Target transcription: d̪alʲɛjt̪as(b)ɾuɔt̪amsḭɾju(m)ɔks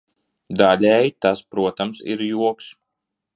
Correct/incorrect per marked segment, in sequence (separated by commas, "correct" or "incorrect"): incorrect, incorrect